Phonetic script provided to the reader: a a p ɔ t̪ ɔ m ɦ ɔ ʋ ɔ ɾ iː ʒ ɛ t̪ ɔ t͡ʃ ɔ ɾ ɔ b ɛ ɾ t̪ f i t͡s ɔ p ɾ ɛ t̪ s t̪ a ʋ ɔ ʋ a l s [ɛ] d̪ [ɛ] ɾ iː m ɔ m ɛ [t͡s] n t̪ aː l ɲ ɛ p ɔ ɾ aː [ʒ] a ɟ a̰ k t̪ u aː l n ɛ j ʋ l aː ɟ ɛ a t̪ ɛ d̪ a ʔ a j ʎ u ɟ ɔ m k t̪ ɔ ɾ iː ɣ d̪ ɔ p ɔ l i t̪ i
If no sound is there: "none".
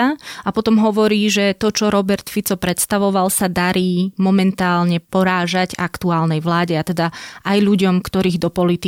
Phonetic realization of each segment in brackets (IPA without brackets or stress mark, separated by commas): a, a, none, ʒ